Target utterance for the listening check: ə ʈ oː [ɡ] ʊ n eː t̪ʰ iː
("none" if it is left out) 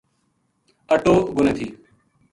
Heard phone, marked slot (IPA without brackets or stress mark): ɡ